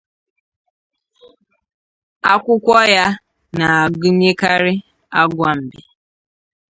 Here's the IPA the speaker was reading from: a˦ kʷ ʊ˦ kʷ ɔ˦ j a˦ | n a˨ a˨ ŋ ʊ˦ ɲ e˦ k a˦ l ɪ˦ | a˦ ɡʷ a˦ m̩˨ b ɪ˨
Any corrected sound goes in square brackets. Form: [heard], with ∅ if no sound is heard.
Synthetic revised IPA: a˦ kʷ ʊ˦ kʷ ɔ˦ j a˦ | n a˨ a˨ [ɡ] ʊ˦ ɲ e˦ k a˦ [ɾ] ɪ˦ | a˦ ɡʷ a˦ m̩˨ b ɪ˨